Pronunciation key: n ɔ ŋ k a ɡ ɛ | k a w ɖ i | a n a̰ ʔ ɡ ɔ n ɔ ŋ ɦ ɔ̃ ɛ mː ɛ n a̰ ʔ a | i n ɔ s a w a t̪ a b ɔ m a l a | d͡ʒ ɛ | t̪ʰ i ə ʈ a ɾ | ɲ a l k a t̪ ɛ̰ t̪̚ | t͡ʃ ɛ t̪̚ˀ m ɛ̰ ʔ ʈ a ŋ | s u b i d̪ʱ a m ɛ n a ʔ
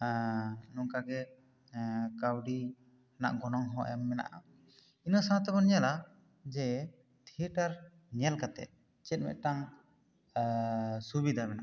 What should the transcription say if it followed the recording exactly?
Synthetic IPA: n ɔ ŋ k a ɡ ɛ | k a w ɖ i | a n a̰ ʔ ɡ ɔ n ɔ ŋ ɦ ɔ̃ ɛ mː ɛ n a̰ ʔ a | i n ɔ s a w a t̪ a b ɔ n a l a | d͡ʒ ɛ | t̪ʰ i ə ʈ a ɾ | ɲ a l k a t̪ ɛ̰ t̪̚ | t͡ʃ ɛ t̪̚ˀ m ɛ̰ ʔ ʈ a ŋ | s u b i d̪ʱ a m ɛ n a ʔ